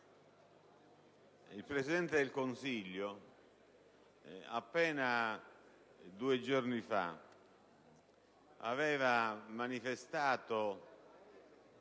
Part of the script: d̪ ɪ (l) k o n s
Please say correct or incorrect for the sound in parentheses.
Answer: correct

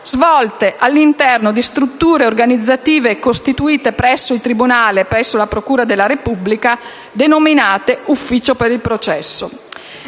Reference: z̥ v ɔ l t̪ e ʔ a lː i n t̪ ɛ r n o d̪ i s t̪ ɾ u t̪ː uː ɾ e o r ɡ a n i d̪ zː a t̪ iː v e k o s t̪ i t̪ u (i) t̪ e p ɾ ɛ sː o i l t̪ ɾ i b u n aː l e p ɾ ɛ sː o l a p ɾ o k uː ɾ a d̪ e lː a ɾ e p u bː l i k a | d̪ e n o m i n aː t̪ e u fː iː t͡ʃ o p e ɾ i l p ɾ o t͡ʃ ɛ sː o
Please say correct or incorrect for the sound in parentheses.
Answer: incorrect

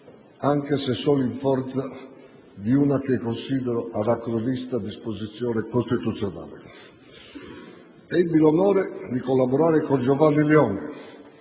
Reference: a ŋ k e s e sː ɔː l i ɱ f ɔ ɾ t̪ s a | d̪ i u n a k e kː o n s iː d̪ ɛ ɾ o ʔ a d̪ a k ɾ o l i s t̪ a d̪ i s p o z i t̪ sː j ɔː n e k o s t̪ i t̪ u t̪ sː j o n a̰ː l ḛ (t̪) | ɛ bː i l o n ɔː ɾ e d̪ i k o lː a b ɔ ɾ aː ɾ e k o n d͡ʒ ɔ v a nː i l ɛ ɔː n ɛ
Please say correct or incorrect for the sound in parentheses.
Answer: incorrect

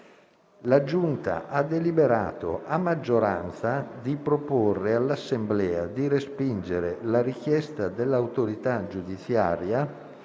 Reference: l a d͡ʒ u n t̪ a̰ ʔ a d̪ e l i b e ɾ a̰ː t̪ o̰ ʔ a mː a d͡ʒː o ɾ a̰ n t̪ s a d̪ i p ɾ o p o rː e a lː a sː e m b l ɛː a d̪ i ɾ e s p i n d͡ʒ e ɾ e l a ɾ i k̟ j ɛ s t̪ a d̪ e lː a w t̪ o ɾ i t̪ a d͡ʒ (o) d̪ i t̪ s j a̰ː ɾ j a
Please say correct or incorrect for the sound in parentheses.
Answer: incorrect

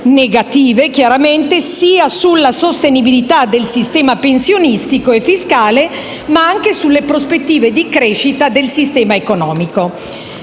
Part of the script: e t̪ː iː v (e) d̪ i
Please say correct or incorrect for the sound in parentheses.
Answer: correct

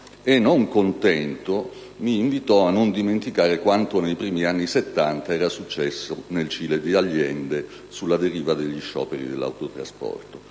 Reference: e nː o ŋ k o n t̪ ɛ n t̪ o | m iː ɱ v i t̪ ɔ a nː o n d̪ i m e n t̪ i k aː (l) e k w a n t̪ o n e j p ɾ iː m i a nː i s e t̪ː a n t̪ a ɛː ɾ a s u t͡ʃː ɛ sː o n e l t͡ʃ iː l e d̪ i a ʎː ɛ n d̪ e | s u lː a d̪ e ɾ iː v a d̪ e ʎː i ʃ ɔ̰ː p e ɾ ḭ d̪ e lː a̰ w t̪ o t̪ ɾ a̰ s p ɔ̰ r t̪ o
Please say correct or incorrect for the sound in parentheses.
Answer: incorrect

